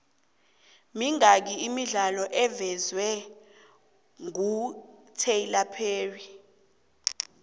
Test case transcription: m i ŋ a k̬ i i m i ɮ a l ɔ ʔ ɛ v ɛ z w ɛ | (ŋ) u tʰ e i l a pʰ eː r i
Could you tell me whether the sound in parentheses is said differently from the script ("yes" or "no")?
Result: no